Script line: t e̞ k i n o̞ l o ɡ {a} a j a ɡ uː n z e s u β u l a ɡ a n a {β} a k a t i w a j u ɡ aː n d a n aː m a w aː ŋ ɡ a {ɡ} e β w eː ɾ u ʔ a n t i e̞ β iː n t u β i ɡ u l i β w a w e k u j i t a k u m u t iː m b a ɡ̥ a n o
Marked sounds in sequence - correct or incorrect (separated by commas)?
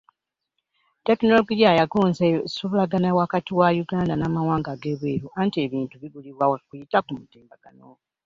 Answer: incorrect, incorrect, correct